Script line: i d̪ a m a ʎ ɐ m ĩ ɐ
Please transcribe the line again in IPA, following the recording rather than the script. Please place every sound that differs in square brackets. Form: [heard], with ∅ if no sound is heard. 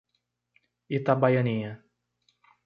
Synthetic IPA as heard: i [t̪] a [b] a [j] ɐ [n] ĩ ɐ